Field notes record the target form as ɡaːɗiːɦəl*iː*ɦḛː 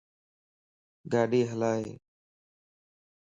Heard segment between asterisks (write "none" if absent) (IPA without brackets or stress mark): aː